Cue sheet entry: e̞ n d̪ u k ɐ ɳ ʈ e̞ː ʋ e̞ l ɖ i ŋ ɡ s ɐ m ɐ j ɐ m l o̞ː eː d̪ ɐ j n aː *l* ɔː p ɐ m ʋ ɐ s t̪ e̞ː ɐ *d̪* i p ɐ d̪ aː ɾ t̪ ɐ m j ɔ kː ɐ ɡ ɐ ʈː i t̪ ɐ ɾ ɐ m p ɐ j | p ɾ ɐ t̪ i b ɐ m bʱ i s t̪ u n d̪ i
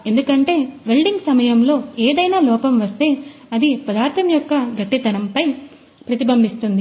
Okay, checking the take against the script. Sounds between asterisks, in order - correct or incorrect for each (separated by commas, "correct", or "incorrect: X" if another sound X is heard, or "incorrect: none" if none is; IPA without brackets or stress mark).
correct, correct